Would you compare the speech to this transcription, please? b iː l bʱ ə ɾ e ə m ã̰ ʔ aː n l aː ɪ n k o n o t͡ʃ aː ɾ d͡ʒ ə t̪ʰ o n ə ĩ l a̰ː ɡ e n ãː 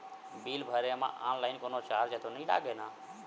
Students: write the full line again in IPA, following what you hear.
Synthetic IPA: b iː l bʱ ə ɾ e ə m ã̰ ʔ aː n l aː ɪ n k o n o t͡ʃ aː ɾ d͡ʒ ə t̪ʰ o n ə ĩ l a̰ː ɡ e n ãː